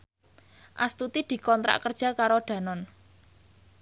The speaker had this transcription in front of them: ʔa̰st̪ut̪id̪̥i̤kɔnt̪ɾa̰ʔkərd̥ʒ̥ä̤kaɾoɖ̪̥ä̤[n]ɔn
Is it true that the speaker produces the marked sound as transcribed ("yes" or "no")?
yes